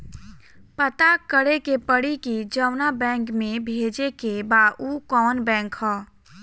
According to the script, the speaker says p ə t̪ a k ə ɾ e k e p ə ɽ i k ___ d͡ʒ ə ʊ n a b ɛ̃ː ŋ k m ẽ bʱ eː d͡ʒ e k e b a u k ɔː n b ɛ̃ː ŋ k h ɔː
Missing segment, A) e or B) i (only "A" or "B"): B